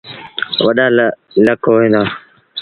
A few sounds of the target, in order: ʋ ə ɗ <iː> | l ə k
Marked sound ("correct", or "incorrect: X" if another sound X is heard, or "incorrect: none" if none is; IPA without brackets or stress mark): incorrect: aː